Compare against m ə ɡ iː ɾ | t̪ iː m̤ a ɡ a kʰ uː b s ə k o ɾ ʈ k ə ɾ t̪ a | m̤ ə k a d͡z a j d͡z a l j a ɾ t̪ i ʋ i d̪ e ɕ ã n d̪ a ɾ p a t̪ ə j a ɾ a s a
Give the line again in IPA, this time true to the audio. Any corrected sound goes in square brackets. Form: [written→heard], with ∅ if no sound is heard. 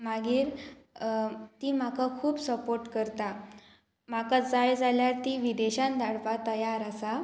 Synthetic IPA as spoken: m [ə→a] ɡ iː ɾ | t̪ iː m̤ a [ɡ→k] a kʰ uː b s ə [k→p] o ɾ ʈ k ə ɾ t̪ a | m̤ [ə→a] k a d͡z a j d͡z a l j a ɾ t̪ i ʋ i d̪ e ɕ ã n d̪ a [ɾ→ɽ] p a t̪ ə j a ɾ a s a